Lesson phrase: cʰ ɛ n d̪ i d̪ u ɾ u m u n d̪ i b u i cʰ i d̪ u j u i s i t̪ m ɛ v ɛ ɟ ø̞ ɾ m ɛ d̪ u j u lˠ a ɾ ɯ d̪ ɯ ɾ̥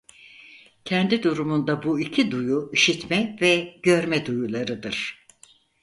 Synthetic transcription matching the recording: cʰ ɛ n d̪ i d̪ u ɾ u m u n d̪ a b u i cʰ i d̪ u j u i ʃ i t̪ m ɛ v ɛ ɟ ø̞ ɾ m ɛ d̪ u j u lˠ a ɾ ɯ d̪ ɯ ɾ̥